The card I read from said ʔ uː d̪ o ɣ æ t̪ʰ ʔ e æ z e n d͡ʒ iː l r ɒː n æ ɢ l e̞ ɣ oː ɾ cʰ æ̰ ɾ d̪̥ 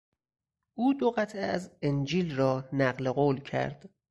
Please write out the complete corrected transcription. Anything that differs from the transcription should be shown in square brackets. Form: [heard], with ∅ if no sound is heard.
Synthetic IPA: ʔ uː d̪ o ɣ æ t̪ʰ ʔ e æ z e n d͡ʒ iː l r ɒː n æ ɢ l e̞ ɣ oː [l] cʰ æ̰ ɾ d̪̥